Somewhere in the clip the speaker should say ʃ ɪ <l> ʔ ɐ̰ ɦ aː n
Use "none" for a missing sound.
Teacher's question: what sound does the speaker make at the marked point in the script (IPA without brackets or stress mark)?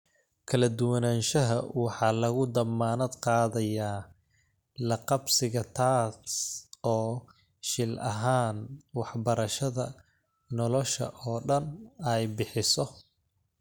l